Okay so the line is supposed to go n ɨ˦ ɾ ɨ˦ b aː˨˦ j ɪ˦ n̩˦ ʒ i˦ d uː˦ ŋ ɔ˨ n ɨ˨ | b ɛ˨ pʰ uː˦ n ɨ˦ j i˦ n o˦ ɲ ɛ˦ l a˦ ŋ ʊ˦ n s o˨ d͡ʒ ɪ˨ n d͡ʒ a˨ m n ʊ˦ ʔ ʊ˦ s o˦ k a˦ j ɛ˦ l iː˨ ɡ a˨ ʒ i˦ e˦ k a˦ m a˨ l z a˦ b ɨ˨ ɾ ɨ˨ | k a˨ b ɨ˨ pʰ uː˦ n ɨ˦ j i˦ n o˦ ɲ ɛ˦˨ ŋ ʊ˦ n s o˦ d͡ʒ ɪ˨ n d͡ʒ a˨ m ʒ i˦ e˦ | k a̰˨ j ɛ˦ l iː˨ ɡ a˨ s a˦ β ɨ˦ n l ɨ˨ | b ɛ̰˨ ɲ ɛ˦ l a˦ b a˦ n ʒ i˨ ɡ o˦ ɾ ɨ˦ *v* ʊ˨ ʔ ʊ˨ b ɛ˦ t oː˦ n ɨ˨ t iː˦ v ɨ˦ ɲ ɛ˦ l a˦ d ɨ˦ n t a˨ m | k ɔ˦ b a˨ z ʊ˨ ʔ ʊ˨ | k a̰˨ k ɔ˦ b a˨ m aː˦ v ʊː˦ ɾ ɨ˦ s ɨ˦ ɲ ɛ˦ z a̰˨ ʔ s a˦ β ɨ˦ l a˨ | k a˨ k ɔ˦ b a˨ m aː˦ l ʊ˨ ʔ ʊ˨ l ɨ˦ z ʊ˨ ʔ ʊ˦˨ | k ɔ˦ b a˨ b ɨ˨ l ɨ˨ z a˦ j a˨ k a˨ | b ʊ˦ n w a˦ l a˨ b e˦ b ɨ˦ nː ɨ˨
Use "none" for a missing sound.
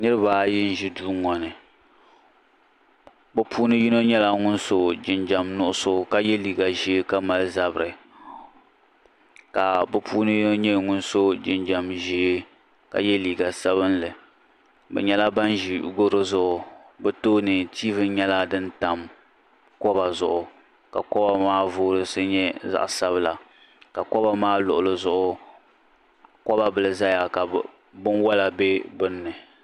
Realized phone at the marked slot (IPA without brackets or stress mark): z